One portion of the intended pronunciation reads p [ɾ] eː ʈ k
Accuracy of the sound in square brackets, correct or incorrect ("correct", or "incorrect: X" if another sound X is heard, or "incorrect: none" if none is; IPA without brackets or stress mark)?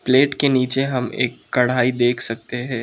incorrect: l